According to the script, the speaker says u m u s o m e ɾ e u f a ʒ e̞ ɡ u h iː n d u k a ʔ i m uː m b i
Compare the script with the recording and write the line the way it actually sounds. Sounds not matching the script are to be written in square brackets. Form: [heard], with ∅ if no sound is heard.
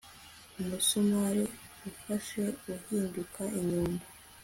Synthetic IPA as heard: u m u s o m [a] ɾ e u f a [ʃ] e̞ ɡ u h iː n d u k a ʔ i [ɲ] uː m b [a]